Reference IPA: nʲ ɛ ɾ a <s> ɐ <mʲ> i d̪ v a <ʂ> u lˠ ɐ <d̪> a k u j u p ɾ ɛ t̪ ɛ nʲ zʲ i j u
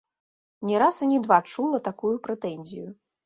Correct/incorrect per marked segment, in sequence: correct, incorrect: nʲ, incorrect: t͡ʂ, incorrect: t̪

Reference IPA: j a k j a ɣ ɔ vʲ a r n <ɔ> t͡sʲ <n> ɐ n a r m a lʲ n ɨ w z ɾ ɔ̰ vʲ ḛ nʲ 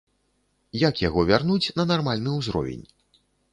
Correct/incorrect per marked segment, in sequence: incorrect: u, correct

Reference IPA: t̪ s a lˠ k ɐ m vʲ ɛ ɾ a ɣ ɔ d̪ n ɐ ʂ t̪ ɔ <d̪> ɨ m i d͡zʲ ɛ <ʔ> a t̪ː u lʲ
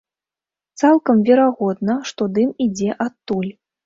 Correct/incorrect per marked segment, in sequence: correct, correct

